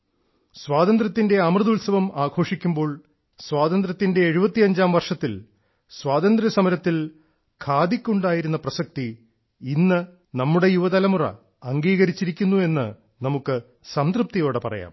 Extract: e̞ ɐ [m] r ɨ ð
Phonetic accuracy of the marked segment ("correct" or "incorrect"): correct